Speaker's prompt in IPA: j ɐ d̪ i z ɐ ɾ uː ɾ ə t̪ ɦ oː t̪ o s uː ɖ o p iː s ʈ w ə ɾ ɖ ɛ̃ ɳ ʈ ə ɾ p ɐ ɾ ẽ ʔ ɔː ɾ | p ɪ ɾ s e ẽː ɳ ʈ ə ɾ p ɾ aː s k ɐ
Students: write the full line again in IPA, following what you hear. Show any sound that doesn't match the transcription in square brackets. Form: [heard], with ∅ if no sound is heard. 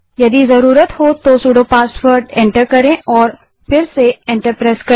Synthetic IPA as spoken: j ɐ d̪ i z ɐ ɾ uː ɾ ə t̪ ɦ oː t̪ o s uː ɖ o p [aː] s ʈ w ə ɾ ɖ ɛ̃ ɳ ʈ ə ɾ [k] ɐ ɾ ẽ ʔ ɔː ɾ | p ɪ ɾ s e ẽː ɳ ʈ ə ɾ p ɾ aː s k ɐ